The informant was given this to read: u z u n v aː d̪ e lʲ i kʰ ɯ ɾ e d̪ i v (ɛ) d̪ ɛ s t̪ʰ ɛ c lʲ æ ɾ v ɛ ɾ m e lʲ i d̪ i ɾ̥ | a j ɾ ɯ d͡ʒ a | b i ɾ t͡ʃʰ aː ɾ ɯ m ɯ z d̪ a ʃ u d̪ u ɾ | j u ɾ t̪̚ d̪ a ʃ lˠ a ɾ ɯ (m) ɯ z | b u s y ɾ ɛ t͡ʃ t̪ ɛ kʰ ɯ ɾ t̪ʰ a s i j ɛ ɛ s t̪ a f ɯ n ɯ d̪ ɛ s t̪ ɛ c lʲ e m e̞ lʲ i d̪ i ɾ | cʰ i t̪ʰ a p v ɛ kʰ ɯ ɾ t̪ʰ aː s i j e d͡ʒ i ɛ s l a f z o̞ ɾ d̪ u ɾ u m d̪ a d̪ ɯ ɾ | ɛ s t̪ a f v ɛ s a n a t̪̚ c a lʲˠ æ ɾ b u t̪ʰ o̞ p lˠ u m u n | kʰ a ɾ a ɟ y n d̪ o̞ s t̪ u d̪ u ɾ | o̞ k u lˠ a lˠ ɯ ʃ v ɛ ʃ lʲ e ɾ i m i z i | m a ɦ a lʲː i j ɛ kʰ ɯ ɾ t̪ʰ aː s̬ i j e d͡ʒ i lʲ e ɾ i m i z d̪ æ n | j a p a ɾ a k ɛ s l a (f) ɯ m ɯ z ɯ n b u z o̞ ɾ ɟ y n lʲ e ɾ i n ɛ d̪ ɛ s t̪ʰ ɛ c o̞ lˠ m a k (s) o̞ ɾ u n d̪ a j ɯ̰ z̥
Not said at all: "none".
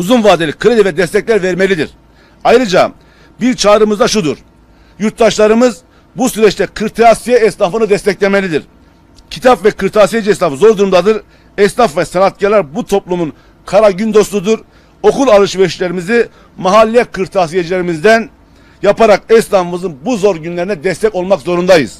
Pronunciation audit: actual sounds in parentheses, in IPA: ɛ, m, f, z

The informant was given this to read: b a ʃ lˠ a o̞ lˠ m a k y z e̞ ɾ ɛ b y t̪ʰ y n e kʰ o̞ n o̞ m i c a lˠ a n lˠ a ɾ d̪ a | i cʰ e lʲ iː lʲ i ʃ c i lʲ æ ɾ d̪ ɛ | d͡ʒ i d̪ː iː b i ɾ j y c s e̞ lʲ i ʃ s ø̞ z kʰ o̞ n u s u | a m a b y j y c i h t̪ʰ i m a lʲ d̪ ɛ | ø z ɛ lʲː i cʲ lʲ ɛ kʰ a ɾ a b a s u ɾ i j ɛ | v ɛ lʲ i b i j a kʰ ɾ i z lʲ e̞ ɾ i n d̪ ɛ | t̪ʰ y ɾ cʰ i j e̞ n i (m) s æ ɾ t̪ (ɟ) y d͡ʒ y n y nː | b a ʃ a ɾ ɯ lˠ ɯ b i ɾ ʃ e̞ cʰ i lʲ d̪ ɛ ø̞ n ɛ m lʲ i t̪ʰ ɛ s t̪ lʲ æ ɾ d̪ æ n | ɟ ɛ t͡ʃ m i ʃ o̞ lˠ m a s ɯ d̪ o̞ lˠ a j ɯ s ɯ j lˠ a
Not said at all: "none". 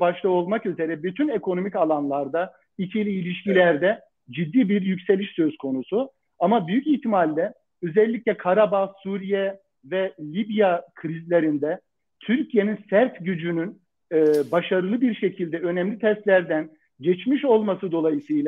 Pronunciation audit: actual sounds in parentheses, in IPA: n, ɟ

